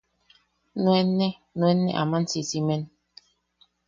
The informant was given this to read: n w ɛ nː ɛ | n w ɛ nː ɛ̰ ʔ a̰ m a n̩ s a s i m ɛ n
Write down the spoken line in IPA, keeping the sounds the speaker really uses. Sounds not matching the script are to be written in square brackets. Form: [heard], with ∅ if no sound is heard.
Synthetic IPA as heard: n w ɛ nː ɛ | n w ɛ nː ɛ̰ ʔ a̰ m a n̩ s [i] s i m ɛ n